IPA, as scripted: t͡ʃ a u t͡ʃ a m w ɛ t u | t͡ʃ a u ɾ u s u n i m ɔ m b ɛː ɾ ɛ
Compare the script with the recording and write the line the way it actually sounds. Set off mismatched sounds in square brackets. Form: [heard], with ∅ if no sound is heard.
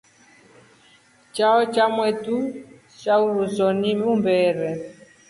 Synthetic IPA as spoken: t͡ʃ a [ɔ] t͡ʃ a m w ɛ t u | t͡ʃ a u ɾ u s [ɔ] n i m [u] m b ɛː ɾ ɛ